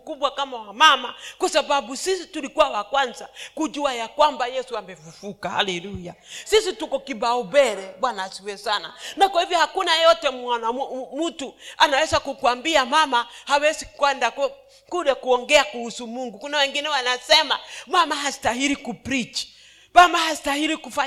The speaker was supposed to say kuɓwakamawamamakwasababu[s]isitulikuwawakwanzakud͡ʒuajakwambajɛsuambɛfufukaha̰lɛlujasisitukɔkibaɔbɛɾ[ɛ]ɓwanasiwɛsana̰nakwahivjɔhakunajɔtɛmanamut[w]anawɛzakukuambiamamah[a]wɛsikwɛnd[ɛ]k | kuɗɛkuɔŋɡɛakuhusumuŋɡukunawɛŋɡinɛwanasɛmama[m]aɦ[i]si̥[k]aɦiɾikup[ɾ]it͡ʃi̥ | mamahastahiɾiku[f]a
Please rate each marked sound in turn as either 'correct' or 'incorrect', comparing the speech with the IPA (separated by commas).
correct, correct, incorrect, correct, incorrect, correct, incorrect, incorrect, correct, correct